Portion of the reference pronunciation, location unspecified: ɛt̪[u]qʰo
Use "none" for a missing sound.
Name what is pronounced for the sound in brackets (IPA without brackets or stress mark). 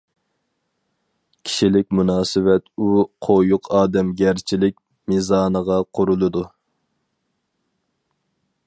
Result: u